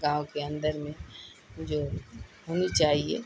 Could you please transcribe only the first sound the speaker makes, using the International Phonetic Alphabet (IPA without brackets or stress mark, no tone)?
ɡ